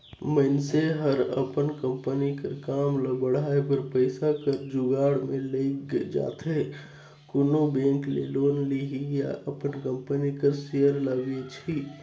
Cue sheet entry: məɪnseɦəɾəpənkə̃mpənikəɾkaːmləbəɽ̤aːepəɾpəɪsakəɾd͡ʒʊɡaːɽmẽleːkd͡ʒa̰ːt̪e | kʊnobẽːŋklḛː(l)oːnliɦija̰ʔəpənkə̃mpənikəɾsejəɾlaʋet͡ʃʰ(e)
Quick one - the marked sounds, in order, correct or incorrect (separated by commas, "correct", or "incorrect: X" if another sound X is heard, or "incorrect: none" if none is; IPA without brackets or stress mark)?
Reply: correct, incorrect: i